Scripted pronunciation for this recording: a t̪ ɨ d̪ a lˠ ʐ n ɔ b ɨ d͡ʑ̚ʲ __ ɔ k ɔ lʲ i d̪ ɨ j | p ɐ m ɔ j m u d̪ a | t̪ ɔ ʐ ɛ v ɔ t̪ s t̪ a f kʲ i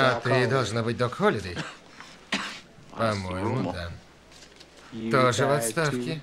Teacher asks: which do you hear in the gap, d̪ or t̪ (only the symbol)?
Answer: d̪